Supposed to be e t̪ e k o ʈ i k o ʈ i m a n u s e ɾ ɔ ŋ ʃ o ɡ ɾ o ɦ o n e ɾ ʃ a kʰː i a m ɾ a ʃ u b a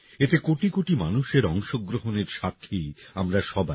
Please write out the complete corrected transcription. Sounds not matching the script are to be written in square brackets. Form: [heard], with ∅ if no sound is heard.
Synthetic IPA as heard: e t̪ e k o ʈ i k o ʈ i m a n u [ʃ] e ɾ ɔ ŋ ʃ o ɡ ɾ o ɦ o n e ɾ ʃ a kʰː i a m ɾ a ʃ [ɔ] b a